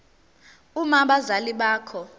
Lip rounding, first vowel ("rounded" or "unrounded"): rounded